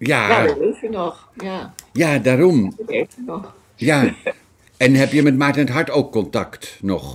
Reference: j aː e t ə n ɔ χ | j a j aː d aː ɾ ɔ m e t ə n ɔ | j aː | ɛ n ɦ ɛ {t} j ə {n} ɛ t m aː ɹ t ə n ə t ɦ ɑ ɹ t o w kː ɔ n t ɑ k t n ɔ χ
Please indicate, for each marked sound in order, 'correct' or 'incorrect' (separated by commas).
incorrect, incorrect